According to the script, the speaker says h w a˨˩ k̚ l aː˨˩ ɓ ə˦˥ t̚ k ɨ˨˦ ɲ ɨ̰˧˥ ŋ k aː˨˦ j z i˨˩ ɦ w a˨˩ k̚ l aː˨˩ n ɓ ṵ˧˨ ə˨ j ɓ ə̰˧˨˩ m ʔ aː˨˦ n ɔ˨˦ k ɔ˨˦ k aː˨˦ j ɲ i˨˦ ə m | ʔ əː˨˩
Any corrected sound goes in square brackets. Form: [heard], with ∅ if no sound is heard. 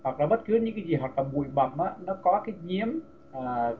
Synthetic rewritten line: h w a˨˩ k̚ l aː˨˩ ɓ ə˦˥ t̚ k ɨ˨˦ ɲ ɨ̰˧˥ ŋ k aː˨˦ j z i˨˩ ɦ w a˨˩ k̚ l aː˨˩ [∅] ɓ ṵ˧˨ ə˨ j ɓ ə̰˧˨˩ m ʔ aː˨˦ n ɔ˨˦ k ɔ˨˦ k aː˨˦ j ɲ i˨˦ ə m | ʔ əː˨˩